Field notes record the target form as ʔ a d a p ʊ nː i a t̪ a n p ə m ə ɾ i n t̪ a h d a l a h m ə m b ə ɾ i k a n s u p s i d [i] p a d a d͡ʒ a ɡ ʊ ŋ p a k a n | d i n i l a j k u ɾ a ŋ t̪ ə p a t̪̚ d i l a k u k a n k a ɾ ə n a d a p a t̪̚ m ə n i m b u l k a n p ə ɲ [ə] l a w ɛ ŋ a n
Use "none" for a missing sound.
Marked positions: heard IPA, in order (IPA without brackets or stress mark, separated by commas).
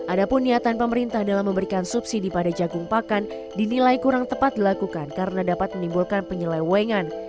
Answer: i, ə